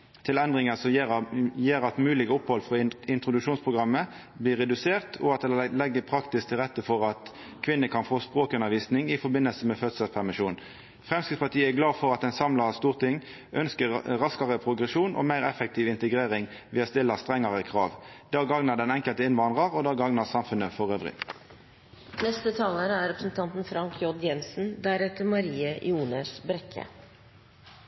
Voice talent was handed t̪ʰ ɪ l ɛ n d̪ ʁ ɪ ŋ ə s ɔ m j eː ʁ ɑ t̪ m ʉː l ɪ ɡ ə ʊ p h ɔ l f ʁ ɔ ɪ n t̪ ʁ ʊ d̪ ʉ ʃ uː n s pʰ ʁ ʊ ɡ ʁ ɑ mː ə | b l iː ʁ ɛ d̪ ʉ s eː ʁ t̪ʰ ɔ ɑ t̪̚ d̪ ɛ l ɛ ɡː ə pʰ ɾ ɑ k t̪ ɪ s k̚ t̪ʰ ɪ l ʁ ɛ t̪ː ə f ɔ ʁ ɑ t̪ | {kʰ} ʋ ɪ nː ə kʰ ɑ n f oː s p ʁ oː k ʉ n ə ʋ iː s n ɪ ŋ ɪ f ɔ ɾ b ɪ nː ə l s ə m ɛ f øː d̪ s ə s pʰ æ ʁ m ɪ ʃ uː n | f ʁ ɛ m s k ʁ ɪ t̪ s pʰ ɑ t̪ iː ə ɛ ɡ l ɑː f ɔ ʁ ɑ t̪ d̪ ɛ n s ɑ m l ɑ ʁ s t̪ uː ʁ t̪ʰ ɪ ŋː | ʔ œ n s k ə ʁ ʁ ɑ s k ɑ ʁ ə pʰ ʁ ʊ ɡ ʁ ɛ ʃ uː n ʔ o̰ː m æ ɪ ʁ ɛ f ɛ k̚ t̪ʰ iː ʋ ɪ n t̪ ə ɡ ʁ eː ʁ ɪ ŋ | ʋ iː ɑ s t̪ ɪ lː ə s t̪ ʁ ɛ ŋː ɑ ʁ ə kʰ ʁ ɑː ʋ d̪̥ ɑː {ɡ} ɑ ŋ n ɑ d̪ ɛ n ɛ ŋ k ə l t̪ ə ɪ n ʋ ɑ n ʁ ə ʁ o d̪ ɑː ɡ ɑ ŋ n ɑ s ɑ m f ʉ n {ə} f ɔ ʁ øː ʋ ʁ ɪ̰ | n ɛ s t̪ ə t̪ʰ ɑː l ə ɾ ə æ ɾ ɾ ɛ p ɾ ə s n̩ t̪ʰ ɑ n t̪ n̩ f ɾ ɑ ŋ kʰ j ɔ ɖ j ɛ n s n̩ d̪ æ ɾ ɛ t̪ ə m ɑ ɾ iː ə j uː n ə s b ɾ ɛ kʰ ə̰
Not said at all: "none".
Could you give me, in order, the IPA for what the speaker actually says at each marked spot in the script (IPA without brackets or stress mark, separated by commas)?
kʰ, ɡ, ə